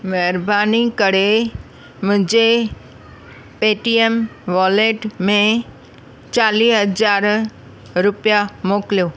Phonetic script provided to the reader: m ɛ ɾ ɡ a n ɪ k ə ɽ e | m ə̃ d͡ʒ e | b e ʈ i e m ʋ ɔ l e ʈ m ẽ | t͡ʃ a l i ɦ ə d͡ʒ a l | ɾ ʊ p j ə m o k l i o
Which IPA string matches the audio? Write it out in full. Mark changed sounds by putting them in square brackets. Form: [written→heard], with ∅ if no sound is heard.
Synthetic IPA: m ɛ ɾ [ɡ→b] a n [ɪ→i] k ə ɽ e | m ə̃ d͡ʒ e | [b→p] e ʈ i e m ʋ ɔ l e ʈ m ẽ | t͡ʃ a l i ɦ ə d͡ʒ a [l→ɾ] | ɾ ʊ p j [ə→a] m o k l [i→j] o